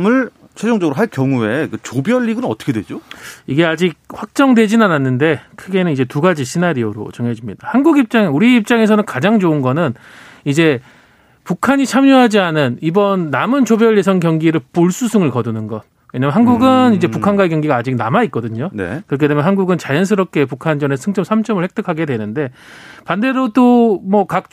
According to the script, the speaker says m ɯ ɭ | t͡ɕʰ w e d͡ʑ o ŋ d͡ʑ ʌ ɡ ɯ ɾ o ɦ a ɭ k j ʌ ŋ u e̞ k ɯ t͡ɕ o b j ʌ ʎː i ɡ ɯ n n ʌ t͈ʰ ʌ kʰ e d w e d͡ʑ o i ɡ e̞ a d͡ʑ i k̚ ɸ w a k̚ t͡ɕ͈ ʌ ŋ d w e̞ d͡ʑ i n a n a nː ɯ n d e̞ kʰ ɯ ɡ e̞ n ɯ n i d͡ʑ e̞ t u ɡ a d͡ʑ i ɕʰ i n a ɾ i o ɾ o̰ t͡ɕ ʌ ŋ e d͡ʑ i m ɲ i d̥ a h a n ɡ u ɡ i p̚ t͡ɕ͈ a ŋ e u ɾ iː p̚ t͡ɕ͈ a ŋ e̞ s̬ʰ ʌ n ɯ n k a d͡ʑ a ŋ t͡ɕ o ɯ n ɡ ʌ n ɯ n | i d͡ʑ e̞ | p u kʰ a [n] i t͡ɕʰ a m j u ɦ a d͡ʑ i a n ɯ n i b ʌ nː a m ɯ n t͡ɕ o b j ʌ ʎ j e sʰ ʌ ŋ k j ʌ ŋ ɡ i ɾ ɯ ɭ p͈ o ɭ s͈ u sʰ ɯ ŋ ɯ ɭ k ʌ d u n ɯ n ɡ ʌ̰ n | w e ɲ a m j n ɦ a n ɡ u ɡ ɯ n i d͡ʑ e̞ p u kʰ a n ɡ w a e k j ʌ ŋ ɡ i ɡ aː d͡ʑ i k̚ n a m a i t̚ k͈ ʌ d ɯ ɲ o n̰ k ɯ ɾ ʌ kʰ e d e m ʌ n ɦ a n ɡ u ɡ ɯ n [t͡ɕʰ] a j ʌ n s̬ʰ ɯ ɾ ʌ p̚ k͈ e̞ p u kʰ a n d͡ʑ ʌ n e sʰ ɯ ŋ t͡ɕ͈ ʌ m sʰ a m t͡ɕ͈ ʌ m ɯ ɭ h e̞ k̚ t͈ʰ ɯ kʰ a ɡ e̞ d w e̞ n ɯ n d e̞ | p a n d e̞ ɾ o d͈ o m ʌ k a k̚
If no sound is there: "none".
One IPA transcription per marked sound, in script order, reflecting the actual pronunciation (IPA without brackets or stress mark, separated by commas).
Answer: ɲ, t͡ɕ